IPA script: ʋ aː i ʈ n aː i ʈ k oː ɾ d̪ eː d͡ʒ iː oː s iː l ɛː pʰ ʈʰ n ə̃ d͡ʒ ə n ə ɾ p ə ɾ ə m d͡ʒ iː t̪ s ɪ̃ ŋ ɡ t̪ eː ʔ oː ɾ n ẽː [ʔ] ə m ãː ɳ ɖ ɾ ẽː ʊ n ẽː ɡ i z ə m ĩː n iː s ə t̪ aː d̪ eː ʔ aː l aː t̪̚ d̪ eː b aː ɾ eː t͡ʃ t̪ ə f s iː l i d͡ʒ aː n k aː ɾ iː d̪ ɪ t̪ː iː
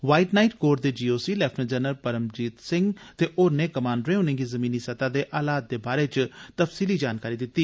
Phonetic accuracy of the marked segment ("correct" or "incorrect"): incorrect